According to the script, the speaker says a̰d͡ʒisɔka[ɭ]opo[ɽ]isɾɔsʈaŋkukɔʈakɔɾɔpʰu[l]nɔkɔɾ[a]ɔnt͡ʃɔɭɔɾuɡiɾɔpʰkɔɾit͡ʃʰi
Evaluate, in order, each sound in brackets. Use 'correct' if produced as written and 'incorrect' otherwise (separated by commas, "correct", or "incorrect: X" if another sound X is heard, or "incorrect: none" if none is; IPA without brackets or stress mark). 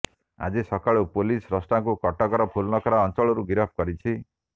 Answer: correct, incorrect: l, correct, correct